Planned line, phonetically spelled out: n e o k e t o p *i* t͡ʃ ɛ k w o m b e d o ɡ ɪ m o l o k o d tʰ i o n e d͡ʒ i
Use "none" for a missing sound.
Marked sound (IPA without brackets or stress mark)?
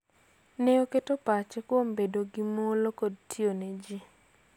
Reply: a